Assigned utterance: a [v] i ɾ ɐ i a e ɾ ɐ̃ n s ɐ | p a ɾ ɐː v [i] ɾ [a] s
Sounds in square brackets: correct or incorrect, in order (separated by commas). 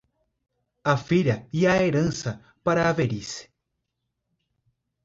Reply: incorrect, incorrect, incorrect